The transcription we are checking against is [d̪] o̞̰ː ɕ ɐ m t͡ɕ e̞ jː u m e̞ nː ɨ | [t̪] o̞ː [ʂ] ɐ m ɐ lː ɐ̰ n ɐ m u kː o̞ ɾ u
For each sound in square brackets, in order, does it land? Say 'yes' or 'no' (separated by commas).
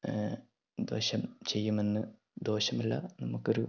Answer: yes, no, no